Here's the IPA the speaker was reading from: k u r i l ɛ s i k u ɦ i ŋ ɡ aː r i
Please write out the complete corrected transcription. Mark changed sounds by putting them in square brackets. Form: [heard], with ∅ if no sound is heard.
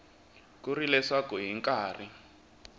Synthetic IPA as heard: k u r i l ɛ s [a] k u ɦ i ŋ [k] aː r i